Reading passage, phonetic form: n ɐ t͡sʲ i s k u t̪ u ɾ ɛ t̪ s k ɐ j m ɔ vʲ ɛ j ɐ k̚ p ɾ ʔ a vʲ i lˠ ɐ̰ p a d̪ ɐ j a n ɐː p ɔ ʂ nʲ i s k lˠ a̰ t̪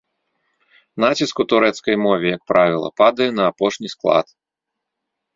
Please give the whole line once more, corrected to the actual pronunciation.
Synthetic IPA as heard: n a t͡sʲ i s k u t̪ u ɾ ɛ t̪ s k ɐ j m ɔ vʲ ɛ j ɐ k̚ p ɾ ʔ a vʲ i lˠ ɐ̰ p a d̪ ɐ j ɛ n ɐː p ɔ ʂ nʲ i s k lˠ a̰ t̪